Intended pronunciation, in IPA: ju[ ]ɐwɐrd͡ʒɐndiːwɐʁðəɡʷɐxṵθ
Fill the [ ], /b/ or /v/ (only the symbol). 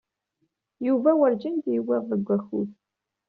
v